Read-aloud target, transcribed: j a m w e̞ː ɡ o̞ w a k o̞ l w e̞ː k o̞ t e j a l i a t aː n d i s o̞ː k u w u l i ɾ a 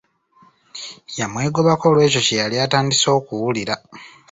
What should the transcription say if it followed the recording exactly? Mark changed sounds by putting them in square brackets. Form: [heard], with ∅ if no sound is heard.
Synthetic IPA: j a m w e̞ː ɡ o̞ [β] a k o̞ l w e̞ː [c] o̞ [c] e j a l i a t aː n d i s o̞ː k u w u l i ɾ a